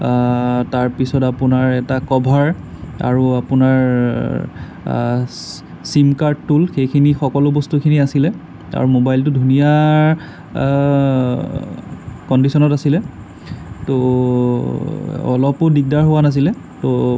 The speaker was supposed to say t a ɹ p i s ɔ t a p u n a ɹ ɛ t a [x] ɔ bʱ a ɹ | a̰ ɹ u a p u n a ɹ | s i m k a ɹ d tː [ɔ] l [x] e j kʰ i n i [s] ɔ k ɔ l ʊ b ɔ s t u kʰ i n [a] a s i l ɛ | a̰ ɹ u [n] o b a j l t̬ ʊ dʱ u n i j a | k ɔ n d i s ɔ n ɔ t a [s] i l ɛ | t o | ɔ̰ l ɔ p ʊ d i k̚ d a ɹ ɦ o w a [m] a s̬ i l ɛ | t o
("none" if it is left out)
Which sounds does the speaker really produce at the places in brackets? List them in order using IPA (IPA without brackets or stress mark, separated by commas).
k, u, x, x, i, m, s, n